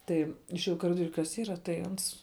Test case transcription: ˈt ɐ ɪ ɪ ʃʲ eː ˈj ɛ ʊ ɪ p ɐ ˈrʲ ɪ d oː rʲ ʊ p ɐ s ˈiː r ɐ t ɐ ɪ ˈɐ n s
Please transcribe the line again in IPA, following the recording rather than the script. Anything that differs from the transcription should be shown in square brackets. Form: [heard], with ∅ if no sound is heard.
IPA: ˈt ɐ ɪ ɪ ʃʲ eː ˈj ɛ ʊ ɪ [k] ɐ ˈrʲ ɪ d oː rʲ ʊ [k] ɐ s ˈiː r ɐ t ɐ ɪ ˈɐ n s

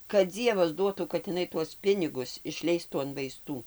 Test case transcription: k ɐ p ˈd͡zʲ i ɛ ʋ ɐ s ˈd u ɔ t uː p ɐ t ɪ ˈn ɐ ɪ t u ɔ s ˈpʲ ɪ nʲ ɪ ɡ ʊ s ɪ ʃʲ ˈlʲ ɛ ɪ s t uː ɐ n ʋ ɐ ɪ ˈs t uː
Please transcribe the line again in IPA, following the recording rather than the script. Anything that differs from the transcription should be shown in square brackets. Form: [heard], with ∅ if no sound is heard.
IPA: k ɐ [t] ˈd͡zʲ i ɛ ʋ ɐ s ˈd u ɔ t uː [k] ɐ t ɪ ˈn ɐ ɪ t u ɔ s ˈpʲ ɪ nʲ ɪ ɡ ʊ s ɪ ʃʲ ˈlʲ ɛ ɪ s t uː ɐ n ʋ ɐ ɪ ˈs t uː

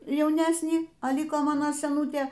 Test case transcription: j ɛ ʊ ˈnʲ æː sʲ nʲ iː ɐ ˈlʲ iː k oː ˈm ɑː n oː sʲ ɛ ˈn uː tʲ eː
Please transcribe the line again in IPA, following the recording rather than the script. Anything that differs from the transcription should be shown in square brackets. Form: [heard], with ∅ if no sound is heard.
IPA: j ɛ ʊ ˈnʲ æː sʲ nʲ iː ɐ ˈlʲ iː k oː ˈm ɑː n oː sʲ ɛ ˈn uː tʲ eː

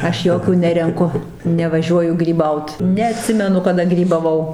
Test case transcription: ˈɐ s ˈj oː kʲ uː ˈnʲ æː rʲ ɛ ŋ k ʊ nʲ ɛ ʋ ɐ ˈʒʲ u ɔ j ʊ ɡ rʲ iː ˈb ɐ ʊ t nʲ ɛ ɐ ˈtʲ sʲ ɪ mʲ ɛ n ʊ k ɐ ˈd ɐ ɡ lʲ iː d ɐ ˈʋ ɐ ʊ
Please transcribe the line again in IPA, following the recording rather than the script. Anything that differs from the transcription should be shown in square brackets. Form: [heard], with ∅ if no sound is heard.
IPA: ˈɐ [ʃ] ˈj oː kʲ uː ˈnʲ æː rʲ ɛ ŋ k ʊ nʲ ɛ ʋ ɐ ˈʒʲ u ɔ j ʊ ɡ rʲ iː ˈb ɐ ʊ t nʲ ɛ ɐ ˈtʲ sʲ ɪ mʲ ɛ n ʊ k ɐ ˈd ɐ ɡ [rʲ] iː [b] ɐ ˈʋ ɐ ʊ

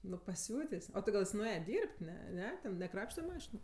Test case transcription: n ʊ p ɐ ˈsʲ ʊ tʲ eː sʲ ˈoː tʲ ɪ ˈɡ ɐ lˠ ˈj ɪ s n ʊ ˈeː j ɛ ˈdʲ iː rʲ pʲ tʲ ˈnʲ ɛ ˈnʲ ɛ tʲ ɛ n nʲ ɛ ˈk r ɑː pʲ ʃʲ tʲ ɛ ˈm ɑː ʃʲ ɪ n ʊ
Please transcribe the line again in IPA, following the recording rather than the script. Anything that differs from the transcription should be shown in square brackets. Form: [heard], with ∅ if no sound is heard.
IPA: n ʊ p ɐ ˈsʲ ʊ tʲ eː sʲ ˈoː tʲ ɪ ˈɡ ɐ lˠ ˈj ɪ s n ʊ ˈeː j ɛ ˈdʲ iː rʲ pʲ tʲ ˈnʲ ɛ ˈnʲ ɛ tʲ ɛ n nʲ ɛ ˈk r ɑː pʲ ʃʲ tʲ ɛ ˈm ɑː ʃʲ ɪ n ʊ

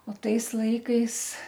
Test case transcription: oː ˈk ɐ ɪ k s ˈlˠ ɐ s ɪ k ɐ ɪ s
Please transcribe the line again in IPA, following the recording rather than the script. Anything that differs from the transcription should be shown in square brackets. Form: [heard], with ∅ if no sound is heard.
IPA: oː [ˈt] ɐ ɪ [∅] s ˈlˠ ɐ [∅] ɪ k ɐ ɪ s

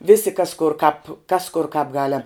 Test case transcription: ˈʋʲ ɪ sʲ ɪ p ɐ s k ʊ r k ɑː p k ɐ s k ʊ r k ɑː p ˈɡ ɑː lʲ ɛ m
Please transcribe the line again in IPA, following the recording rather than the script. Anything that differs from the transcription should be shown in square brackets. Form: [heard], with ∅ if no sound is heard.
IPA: ˈʋʲ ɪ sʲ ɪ [k] ɐ s k ʊ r k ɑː p k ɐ s k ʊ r k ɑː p ˈɡ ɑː lʲ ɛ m

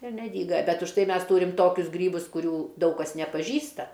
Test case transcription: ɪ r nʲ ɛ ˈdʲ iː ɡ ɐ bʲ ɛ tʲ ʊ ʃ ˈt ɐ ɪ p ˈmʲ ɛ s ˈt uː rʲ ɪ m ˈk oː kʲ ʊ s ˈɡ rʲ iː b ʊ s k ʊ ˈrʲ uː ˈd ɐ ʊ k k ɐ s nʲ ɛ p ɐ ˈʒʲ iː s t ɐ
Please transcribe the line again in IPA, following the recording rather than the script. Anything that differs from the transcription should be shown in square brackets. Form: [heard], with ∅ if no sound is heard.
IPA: ɪ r nʲ ɛ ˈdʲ iː ɡ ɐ bʲ ɛ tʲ ʊ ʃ ˈt ɐ ɪ [∅] ˈmʲ ɛ s ˈt uː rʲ ɪ m [ˈt] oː kʲ ʊ s ˈɡ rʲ iː b ʊ s k ʊ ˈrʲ uː ˈd ɐ ʊ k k ɐ s nʲ ɛ p ɐ ˈʒʲ iː s t ɐ

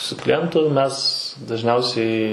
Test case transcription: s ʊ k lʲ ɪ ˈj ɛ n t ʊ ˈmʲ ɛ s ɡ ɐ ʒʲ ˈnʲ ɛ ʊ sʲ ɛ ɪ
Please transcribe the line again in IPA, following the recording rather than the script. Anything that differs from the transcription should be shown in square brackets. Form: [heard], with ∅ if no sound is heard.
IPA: s ʊ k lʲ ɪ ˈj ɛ n t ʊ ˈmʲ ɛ s [d] ɐ ʒʲ ˈnʲ ɛ ʊ sʲ ɛ ɪ

